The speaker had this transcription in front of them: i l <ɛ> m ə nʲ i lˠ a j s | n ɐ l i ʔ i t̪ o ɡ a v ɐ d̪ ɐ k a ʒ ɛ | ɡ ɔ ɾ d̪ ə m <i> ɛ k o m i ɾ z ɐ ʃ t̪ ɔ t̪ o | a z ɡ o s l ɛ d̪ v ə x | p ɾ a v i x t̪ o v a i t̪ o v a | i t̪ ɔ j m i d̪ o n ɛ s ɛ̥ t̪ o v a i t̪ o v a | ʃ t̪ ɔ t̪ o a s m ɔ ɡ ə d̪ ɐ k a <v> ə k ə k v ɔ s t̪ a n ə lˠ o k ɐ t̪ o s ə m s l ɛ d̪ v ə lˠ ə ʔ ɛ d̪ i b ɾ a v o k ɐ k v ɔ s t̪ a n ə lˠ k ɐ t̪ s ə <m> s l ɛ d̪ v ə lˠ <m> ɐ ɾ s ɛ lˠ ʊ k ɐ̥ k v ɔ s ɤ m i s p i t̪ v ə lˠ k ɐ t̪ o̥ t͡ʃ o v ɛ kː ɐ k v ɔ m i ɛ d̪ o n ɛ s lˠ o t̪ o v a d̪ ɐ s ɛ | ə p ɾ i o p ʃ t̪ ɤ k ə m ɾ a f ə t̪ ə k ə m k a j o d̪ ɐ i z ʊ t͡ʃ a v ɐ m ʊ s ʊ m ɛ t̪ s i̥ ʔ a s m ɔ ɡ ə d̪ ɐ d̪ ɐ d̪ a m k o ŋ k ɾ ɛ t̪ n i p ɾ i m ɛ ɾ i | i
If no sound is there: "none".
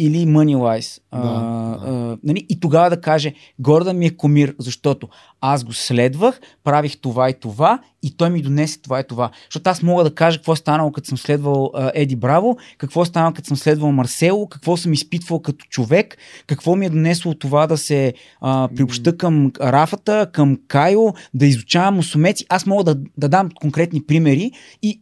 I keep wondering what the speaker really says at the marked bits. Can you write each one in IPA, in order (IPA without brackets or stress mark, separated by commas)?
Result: i, i, ʒ, m, m